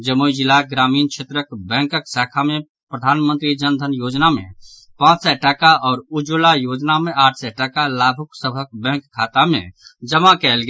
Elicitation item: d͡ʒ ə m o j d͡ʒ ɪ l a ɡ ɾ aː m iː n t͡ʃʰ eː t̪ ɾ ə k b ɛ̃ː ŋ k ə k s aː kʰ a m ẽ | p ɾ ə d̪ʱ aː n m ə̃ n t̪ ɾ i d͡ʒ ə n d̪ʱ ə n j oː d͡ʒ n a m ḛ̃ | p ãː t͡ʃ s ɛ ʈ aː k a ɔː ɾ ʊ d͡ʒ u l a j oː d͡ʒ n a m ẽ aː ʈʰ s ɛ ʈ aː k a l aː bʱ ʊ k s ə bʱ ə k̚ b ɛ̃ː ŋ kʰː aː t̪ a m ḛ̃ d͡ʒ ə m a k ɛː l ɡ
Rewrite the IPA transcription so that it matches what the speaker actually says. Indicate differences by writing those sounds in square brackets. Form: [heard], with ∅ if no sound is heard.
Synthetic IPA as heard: d͡ʒ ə m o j d͡ʒ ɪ l a ɡ ɾ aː m iː n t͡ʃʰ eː t̪ ɾ ə k b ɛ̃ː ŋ k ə k s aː kʰ a m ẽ | p ɾ ə d̪ʱ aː n m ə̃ n t̪ ɾ i d͡ʒ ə n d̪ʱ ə n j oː d͡ʒ n a m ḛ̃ | p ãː t͡ʃ s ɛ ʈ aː k a ɔː ɾ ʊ d͡ʒ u l a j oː d͡ʒ n a m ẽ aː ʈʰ s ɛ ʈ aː k a l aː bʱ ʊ k s ə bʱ ə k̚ b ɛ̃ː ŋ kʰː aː t̪ a m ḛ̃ d͡ʒ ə m a k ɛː l ɡ

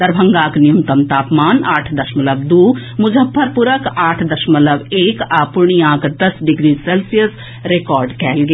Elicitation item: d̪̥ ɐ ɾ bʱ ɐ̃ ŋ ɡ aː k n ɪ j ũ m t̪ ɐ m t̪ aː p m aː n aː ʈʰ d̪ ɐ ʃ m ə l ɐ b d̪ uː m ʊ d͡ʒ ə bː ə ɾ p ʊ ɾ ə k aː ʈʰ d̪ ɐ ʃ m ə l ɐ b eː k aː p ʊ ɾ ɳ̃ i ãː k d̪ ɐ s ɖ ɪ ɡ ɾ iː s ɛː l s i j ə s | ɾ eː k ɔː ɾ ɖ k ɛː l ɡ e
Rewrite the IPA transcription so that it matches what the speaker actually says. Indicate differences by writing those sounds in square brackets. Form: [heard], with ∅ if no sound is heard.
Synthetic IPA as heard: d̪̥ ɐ ɾ bʱ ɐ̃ ŋ ɡ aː k n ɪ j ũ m t̪ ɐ m t̪ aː p m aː n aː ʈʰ d̪ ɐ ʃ m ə l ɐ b d̪ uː m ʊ d͡ʒ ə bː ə ɾ p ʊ ɾ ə k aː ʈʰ d̪ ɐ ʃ m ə l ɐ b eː k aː p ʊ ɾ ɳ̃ i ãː k d̪ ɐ s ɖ ɪ ɡ ɾ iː s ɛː l s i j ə s | ɾ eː k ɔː ɾ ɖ k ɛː l ɡ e

